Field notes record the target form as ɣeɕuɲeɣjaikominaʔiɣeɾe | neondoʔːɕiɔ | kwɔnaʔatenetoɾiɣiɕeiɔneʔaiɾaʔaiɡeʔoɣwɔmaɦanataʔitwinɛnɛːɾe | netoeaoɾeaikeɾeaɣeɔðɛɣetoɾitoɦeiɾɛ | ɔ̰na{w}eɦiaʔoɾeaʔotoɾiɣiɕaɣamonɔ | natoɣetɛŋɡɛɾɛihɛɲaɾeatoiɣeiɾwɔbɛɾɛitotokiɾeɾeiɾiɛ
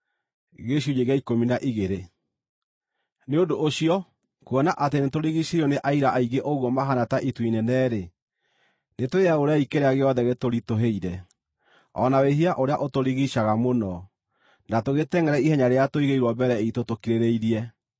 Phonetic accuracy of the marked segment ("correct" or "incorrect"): correct